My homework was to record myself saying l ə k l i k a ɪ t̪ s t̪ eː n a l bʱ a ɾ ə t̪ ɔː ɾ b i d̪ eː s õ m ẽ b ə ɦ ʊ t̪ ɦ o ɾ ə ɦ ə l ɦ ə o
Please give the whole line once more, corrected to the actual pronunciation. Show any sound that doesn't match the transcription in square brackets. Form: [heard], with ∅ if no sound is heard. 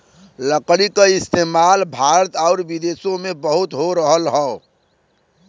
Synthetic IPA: l ə k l i k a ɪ [∅] s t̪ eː [m] a l bʱ a ɾ ə t̪ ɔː ɾ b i d̪ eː s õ m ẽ b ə ɦ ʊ t̪ ɦ o ɾ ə ɦ ə l ɦ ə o

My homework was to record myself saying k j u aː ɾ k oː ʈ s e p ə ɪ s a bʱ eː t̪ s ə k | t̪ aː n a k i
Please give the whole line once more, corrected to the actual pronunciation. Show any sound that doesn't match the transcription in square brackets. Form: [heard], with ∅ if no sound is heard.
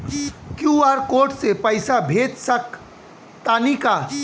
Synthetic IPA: k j u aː ɾ k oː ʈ s e p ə ɪ s a bʱ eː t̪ s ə k | t̪ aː n [i] k [a]

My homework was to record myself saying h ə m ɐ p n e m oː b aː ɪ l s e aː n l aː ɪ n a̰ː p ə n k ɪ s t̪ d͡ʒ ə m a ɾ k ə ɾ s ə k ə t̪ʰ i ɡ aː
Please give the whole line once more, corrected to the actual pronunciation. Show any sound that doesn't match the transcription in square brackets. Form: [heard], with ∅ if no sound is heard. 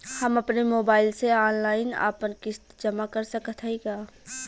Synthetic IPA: h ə m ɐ p n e m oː b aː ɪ l s e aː n l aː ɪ n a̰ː p ə n k ɪ s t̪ d͡ʒ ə m a [∅] k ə ɾ s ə k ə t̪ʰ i ɡ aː

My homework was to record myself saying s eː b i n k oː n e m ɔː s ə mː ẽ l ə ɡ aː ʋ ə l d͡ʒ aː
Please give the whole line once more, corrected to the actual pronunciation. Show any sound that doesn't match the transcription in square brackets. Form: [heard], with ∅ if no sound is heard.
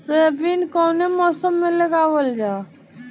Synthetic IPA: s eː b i n k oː n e m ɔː s ə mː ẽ l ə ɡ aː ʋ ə l d͡ʒ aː

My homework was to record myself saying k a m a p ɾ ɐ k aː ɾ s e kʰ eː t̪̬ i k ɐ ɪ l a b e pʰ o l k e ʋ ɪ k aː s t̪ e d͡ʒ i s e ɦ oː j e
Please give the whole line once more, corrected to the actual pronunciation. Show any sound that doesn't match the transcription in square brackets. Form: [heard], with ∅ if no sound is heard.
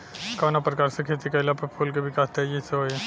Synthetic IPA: k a [n] a p ɾ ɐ k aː ɾ s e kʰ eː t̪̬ i k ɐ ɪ l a [p] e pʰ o l k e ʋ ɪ k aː s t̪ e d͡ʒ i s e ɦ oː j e

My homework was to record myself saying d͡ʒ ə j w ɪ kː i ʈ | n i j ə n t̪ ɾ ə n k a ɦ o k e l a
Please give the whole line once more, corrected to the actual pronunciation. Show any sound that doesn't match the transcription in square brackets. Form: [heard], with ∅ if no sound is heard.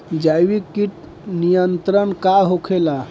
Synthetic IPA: d͡ʒ [a] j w [i] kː i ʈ | n i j ə n t̪ ɾ ə n k a ɦ o [kʰ] e l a

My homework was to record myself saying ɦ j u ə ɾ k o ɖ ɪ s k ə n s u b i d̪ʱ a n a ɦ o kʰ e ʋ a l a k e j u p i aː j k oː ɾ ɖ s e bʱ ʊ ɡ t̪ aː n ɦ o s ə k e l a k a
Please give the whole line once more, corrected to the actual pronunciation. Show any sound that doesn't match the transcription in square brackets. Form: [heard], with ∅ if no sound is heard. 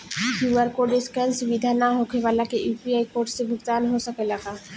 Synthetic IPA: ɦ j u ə ɾ k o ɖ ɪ s k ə n s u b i d̪ʱ a n a ɦ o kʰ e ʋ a l a k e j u p i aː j k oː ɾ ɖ s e bʱ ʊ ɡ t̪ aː n ɦ o s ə k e l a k a

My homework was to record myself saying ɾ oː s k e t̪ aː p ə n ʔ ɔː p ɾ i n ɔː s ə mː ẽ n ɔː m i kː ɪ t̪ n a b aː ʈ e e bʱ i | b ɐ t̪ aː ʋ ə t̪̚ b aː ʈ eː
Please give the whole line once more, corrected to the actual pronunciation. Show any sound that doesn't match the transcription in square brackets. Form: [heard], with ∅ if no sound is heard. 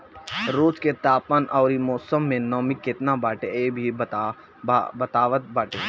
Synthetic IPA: ɾ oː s k e t̪ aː p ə n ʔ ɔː [∅] ɾ i [m] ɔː s ə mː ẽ n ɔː m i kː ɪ t̪ n a b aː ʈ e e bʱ i | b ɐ t̪ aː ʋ ə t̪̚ b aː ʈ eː

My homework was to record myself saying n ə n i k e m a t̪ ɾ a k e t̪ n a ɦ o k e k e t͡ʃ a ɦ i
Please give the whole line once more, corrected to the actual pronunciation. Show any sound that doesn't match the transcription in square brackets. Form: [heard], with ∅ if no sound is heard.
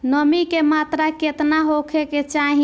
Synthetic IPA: n ə [m] i k e m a t̪ ɾ a k e t̪ n a ɦ o [kʰ] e k e t͡ʃ a ɦ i

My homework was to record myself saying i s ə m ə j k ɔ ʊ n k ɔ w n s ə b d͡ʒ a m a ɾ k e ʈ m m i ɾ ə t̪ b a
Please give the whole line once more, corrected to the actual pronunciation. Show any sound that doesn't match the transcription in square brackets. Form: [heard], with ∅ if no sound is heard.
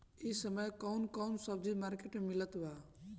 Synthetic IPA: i s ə m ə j k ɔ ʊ n k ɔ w n s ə b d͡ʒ [i] m a ɾ k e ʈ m m i [l] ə t̪ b a

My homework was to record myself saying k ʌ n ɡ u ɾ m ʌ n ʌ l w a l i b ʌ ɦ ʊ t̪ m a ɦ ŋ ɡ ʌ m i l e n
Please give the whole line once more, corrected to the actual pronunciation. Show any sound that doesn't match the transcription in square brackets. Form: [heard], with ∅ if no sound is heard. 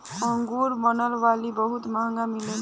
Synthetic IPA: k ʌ [ŋ] ɡ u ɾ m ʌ n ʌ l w a l i b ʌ ɦ [u] t̪ m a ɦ ŋ ɡ [a] m i l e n

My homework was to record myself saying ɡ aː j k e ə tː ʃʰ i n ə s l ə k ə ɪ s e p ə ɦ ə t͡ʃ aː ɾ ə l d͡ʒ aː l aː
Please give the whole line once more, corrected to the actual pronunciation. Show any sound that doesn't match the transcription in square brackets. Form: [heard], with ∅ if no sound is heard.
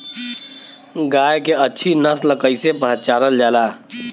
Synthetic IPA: ɡ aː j k e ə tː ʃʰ i n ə s l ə k ə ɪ s e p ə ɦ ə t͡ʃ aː ɾ ə l d͡ʒ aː l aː

